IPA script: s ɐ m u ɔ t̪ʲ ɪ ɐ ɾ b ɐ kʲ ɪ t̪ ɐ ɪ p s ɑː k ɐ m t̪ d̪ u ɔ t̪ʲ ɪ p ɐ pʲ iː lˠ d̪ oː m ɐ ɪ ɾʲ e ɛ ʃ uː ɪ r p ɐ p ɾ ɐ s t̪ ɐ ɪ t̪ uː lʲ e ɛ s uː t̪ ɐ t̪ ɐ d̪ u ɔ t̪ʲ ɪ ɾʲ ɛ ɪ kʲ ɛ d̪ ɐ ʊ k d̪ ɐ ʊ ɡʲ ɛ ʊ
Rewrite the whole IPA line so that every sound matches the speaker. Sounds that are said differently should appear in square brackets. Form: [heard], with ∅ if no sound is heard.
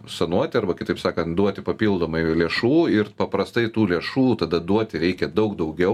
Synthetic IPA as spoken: s ɐ [n] u ɔ t̪ʲ ɪ ɐ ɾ b ɐ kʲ ɪ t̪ ɐ ɪ p s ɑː k ɐ [n] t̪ d̪ u ɔ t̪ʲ ɪ p ɐ pʲ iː lˠ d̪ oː m ɐ ɪ [lʲ] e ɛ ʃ uː ɪ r p ɐ p ɾ ɐ s t̪ ɐ ɪ t̪ uː lʲ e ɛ [ʃ] uː t̪ ɐ [d̪] ɐ d̪ u ɔ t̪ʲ ɪ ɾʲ ɛ ɪ kʲ ɛ d̪ ɐ ʊ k d̪ ɐ ʊ ɡʲ ɛ ʊ